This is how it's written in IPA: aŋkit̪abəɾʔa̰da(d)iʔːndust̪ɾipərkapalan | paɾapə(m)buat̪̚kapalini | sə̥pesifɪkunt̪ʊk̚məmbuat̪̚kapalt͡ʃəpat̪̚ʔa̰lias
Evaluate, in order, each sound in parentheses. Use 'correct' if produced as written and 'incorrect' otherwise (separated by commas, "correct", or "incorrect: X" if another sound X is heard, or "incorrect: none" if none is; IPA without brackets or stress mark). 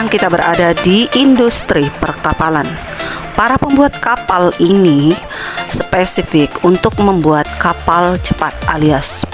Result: correct, correct